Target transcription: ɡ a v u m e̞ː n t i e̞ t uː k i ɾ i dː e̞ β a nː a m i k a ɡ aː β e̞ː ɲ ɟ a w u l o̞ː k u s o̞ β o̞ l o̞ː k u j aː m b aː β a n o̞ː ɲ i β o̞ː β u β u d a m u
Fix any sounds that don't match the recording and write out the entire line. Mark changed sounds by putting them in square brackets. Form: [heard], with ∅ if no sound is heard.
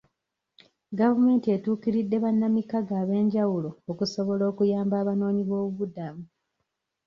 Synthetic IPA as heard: ɡ a v u m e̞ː n t i e̞ t uː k i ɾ i dː e̞ β a nː a m i k a ɡ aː β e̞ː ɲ ɟ a w u l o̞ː k u s o̞ β o̞ l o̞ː k u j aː m b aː β a n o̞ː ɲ i β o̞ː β u β u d a m u